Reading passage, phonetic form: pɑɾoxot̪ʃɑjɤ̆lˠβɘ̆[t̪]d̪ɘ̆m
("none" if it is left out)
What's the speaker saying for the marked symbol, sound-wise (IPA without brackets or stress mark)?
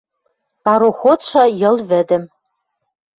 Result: none